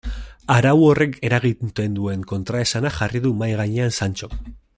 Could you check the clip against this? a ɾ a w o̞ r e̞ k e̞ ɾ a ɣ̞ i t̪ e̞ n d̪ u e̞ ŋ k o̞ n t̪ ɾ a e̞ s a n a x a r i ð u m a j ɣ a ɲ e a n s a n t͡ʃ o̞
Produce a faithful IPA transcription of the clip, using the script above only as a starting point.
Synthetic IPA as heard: a ɾ a w o̞ r e̞ k e̞ ɾ a ɣ̞ i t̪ e̞ n d̪ u e̞ ŋ k o̞ n t̪ ɾ a e̞ s a n a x a r i ð u m a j ɣ a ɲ e a n s a n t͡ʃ o̞